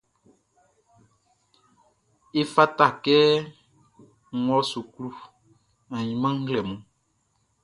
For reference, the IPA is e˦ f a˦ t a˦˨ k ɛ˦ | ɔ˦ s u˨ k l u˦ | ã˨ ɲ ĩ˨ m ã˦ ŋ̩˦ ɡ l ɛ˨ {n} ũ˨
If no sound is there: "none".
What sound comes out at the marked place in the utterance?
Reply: m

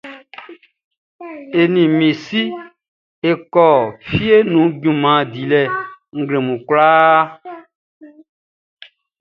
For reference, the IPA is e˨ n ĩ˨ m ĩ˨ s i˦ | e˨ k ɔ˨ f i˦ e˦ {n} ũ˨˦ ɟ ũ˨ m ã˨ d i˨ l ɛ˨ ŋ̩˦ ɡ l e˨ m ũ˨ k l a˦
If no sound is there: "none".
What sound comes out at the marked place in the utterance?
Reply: n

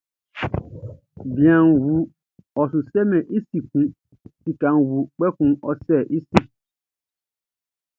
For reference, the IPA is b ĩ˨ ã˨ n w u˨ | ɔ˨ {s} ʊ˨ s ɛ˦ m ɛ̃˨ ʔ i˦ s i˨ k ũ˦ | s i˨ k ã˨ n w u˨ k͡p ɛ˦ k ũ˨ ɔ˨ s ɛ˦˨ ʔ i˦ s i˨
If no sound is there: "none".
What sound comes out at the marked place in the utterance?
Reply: s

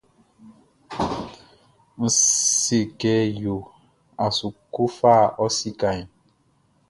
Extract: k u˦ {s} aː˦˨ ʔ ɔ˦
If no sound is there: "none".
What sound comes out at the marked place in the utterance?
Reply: f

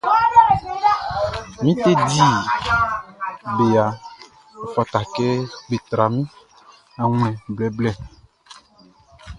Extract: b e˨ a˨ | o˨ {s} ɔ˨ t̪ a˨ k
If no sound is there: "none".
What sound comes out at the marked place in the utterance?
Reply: f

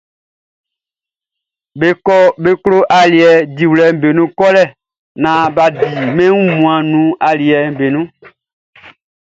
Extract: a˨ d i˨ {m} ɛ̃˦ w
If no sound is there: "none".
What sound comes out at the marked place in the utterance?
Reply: m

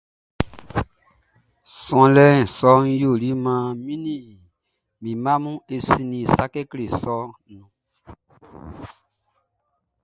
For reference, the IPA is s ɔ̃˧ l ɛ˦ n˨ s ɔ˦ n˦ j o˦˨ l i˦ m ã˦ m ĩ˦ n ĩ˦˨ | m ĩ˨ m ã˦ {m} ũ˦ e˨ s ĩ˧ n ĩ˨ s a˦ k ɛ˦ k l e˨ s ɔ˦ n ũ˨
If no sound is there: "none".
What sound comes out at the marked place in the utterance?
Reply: m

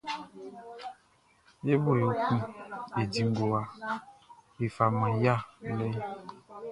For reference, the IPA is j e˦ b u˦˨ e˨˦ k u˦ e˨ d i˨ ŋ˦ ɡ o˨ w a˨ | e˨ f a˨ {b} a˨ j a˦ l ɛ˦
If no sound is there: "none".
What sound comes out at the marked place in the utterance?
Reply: m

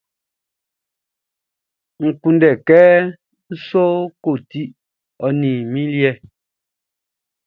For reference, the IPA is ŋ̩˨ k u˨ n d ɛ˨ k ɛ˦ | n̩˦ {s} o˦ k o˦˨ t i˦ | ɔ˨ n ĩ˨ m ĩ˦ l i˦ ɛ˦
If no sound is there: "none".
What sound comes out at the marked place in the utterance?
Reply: s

